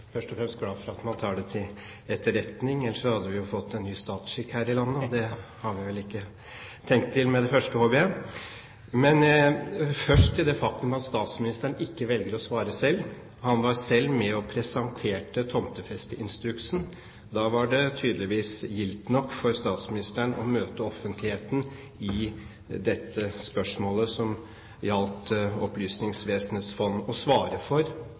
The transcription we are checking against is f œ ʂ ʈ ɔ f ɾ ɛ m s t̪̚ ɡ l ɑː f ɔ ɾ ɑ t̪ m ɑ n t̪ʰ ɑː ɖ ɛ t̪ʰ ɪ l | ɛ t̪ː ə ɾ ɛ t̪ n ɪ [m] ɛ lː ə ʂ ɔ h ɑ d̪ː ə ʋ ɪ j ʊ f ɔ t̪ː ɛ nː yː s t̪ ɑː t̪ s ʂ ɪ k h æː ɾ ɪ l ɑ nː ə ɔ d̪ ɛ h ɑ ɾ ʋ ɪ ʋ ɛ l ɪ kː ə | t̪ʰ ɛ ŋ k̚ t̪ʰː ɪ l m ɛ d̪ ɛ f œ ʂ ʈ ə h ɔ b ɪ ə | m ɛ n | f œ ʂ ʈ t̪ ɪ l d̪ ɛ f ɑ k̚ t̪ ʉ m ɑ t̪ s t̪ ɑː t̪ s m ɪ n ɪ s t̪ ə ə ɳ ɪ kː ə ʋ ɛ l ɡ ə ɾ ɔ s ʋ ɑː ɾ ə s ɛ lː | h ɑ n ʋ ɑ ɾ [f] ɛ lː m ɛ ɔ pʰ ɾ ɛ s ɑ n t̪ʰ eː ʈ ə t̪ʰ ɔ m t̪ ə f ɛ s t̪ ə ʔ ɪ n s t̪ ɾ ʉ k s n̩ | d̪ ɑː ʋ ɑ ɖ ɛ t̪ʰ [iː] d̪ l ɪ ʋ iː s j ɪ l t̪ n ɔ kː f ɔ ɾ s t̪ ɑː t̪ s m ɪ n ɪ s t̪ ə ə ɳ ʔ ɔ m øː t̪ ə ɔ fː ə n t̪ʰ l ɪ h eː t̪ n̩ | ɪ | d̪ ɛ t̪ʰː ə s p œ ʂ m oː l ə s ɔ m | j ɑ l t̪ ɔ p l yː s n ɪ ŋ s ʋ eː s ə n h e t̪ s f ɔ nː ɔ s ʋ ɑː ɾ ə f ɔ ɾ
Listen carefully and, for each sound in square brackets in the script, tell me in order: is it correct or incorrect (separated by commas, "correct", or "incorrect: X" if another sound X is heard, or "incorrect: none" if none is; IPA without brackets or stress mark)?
incorrect: ŋ, incorrect: s, incorrect: yː